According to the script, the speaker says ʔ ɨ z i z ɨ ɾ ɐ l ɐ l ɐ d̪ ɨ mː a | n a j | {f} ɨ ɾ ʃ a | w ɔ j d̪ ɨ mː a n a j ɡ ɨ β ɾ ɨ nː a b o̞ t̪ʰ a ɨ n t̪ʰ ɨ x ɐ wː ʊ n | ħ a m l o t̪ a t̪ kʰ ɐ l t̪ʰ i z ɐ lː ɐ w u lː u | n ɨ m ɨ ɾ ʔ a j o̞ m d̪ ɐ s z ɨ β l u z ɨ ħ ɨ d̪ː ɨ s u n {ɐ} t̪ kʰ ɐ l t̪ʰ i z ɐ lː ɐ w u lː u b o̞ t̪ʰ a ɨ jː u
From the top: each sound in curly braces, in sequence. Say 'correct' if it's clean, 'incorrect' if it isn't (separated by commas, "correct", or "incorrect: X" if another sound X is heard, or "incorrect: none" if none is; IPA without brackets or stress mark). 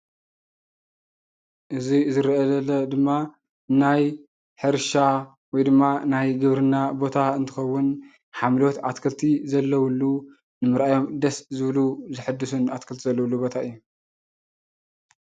incorrect: ħ, incorrect: a